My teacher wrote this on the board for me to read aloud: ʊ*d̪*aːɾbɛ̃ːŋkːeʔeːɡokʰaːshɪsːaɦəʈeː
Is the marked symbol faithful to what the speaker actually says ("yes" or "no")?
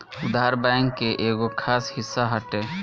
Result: yes